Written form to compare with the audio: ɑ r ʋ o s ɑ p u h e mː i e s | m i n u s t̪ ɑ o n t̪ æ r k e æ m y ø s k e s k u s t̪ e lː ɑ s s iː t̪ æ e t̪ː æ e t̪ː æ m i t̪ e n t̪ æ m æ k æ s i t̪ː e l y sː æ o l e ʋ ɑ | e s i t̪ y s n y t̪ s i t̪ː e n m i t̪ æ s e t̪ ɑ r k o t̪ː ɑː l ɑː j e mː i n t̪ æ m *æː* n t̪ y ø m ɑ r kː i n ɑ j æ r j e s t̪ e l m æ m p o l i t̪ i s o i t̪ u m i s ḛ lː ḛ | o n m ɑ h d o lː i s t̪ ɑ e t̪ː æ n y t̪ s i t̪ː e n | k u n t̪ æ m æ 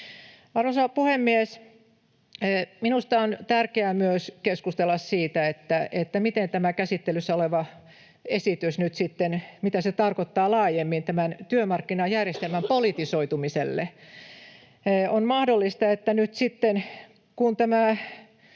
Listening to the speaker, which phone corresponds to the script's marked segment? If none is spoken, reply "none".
æ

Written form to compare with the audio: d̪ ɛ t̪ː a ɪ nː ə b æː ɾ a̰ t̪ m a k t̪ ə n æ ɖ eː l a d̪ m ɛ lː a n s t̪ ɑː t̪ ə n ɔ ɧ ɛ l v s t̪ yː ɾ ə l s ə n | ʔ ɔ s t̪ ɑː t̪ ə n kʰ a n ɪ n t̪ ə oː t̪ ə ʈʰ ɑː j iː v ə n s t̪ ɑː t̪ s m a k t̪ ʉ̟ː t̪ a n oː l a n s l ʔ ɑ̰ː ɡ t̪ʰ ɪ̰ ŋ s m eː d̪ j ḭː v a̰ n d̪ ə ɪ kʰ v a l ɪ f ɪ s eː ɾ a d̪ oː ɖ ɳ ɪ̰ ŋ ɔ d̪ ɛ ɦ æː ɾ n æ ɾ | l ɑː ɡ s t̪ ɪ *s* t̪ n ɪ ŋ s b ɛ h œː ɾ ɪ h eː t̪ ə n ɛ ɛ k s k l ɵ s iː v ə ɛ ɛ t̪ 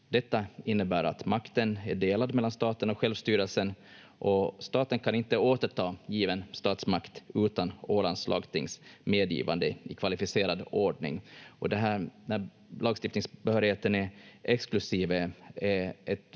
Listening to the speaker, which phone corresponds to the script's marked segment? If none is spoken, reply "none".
f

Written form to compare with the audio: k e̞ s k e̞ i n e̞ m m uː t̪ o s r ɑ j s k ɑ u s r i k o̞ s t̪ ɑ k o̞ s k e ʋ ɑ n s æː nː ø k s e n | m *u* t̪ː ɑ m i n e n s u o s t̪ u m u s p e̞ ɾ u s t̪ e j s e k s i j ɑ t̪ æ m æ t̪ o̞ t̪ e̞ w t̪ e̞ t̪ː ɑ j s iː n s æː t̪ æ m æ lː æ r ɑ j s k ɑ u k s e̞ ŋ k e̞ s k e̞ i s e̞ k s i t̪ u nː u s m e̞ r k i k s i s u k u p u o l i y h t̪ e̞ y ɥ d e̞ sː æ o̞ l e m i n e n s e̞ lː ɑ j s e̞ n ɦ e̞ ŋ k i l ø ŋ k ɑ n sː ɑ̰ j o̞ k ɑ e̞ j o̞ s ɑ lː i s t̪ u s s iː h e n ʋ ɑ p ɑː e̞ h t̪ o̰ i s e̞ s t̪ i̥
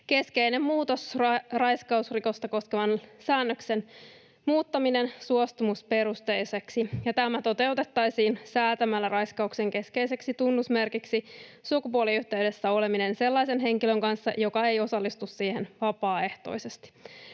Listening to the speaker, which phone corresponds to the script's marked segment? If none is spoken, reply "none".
uː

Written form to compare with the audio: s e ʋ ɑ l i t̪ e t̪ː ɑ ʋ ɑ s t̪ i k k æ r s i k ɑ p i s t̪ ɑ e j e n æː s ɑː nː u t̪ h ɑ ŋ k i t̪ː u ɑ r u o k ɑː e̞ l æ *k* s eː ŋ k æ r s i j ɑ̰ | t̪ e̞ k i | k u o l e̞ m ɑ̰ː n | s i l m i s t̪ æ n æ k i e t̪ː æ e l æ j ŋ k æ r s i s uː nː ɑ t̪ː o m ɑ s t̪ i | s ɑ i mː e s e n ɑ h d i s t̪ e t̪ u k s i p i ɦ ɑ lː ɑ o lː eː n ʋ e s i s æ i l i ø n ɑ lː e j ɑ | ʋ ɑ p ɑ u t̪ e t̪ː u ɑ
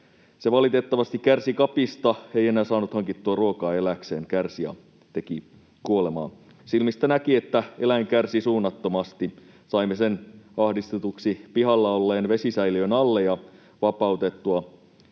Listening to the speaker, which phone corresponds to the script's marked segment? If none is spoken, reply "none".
k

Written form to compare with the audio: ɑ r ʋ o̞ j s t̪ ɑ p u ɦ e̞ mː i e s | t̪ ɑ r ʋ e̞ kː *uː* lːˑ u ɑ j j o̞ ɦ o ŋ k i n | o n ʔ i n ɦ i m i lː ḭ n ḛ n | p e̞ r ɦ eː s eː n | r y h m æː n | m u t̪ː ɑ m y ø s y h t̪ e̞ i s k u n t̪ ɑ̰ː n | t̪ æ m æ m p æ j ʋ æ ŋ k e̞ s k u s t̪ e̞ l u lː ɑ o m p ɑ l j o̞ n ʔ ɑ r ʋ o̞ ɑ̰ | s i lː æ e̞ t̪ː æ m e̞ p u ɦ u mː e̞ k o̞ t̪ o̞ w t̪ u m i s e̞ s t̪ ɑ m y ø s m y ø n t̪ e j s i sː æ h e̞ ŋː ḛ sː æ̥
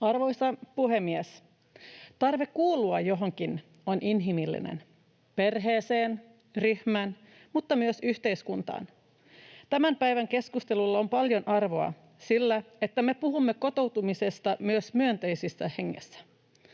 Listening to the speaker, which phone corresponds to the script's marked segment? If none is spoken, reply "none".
uː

